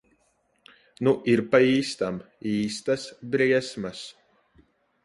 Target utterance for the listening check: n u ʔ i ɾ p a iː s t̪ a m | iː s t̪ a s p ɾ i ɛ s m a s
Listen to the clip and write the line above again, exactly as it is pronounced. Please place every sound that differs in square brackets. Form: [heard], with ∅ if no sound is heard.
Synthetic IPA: n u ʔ i ɾ p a iː s t̪ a m | iː s t̪ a s [b] ɾ i ɛ s m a s